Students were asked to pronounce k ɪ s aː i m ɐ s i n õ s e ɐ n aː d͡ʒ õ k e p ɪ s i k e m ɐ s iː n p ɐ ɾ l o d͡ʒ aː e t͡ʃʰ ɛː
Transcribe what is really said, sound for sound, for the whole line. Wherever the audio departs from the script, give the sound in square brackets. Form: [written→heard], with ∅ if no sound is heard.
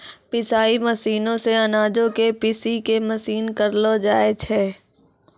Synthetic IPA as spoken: [k→p] ɪ s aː i m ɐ s [i→iː] n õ s e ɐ n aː d͡ʒ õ k e p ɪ s i k e m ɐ s iː n [p→k] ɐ ɾ l o d͡ʒ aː e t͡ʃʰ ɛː